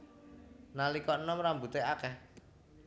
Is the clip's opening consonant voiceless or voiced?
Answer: voiced